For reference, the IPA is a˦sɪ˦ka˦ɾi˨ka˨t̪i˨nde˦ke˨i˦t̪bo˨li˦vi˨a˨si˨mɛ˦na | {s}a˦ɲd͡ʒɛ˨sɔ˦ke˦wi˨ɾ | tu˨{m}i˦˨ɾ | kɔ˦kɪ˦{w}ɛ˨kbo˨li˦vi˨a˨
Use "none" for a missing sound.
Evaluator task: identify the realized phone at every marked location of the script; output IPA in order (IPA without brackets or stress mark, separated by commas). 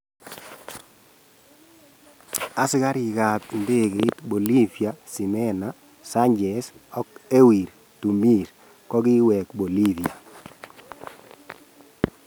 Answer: s, m, w